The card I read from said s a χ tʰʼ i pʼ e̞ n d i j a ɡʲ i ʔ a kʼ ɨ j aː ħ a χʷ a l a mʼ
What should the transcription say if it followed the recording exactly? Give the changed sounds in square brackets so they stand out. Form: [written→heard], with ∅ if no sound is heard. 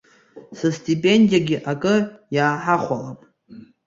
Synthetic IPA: s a [χ→s] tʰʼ i pʼ e̞ n d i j a ɡʲ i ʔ a kʼ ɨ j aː ħ a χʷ a l a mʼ